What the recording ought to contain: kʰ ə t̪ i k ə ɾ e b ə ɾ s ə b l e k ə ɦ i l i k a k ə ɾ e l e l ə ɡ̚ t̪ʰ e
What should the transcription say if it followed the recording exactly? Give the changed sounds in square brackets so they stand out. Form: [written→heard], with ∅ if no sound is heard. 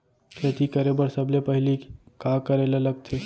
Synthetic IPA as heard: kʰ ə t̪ i k ə ɾ e b ə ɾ s ə b l e [k→p] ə ɦ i l i k a k ə ɾ e l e l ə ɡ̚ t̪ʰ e